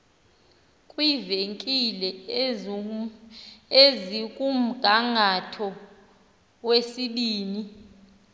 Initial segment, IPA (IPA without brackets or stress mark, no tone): kʼ